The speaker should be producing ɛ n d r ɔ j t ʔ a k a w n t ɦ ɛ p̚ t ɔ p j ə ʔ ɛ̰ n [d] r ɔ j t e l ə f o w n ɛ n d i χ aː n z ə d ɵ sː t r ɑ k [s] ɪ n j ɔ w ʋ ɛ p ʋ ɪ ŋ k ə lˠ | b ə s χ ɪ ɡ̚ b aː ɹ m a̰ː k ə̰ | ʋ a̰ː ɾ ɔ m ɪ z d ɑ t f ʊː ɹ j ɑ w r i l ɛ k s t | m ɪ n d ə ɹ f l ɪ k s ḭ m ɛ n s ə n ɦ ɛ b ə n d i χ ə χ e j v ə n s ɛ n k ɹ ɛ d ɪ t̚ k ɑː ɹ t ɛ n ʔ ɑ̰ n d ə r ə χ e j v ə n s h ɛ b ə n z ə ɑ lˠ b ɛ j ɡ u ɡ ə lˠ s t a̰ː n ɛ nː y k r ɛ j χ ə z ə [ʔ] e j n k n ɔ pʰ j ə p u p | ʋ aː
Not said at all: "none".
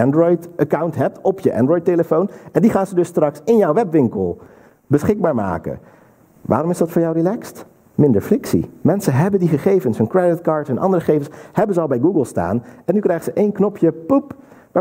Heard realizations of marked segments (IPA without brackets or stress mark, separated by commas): d, s, ʔ